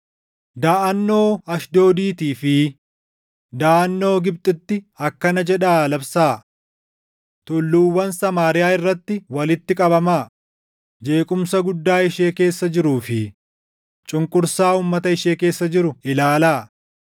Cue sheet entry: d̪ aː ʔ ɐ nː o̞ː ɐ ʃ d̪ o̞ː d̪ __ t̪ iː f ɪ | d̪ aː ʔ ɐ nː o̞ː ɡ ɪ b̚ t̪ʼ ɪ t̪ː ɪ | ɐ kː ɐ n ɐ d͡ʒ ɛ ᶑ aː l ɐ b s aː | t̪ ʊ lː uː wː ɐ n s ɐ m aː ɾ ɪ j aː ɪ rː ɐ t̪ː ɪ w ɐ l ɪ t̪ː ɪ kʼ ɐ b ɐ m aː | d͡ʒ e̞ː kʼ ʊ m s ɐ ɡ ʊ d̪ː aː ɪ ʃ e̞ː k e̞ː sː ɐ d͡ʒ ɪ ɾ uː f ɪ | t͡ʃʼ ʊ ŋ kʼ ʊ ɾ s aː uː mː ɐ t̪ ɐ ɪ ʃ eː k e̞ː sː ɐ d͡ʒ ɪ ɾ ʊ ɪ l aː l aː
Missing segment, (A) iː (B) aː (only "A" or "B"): A